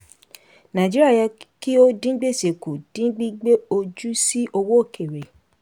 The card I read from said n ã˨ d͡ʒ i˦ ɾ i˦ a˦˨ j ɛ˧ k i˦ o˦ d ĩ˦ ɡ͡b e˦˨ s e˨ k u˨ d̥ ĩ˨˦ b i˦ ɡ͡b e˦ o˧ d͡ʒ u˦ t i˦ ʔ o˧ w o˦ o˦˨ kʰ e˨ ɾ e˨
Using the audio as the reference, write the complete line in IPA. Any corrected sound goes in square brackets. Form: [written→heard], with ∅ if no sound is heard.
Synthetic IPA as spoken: n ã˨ d͡ʒ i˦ ɾ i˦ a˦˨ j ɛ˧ k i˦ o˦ d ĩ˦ ɡ͡b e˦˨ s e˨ k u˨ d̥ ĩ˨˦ [b→ɡ͡b] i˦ ɡ͡b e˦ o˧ d͡ʒ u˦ [t→s] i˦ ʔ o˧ w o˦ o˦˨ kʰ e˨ ɾ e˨